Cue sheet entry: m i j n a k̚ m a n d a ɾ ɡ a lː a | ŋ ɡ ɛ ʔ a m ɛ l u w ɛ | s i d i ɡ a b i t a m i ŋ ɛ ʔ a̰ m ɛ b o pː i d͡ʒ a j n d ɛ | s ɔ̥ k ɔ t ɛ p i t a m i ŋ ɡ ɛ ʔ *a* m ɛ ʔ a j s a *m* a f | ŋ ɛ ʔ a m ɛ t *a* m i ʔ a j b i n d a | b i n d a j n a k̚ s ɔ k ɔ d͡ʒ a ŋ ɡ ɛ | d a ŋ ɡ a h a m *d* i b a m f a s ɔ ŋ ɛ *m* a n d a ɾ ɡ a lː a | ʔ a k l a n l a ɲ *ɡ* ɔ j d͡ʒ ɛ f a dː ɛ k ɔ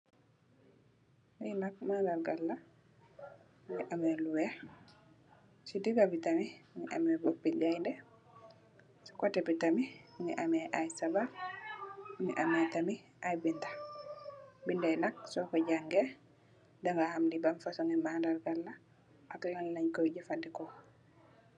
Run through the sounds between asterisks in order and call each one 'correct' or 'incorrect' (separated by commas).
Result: correct, incorrect, correct, correct, correct, incorrect